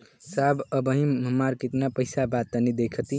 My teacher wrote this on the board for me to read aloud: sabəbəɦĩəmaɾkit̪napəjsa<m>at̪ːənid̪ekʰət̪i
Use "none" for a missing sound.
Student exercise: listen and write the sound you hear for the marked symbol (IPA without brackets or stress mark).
b